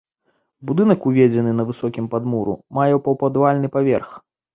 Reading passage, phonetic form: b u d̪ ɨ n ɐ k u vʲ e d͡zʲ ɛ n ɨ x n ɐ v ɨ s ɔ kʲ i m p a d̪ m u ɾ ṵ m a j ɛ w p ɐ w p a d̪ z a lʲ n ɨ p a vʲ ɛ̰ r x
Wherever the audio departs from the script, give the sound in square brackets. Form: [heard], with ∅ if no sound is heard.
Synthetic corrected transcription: b u d̪ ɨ n ɐ k u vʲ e d͡zʲ ɛ n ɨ [∅] n ɐ v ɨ s ɔ kʲ i m p a d̪ m u ɾ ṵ m a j ɛ w p ɐ w p a d̪ [v] a lʲ n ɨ p a vʲ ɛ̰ r x